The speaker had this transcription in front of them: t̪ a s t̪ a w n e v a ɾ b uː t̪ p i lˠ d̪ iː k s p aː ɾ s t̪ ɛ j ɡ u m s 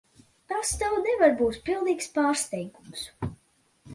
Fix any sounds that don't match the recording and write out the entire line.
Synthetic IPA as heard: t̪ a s t̪ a w n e v a ɾ b uː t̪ p i lˠ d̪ iː k s p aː ɾ s t̪ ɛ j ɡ u m s